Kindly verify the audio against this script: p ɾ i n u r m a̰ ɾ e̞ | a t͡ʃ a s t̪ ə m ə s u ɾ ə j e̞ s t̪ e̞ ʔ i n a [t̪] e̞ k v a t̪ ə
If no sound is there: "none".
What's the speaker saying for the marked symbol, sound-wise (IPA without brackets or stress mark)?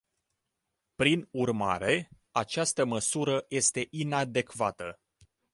d̪